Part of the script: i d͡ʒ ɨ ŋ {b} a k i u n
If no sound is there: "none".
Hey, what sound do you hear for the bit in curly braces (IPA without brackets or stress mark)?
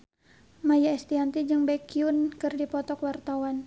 b